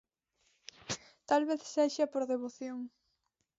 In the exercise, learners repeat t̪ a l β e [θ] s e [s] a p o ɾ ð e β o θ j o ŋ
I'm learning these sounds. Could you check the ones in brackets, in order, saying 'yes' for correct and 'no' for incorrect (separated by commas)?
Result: yes, no